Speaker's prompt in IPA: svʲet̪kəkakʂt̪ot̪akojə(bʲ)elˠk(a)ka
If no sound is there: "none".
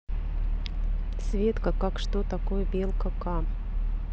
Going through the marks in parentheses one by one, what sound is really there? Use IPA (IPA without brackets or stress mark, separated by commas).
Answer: bʲ, ə